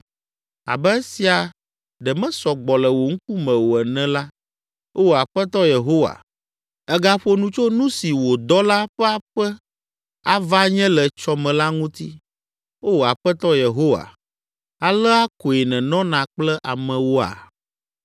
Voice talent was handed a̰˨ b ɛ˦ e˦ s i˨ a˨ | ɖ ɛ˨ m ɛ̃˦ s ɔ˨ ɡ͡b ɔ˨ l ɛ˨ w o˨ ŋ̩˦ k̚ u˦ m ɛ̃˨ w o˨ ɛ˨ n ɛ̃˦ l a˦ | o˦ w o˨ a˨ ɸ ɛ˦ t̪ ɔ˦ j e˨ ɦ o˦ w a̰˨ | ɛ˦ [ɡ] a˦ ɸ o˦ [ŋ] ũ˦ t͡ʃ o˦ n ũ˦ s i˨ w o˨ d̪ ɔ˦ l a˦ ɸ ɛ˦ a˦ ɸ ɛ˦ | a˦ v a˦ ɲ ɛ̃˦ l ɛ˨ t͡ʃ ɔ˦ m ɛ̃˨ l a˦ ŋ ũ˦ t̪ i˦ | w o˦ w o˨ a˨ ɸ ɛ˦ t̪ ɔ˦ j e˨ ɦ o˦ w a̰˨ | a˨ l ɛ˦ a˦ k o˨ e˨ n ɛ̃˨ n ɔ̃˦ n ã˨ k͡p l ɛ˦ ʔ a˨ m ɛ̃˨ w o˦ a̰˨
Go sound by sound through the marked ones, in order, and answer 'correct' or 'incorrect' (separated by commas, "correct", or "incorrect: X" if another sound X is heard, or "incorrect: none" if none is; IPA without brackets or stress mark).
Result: correct, incorrect: n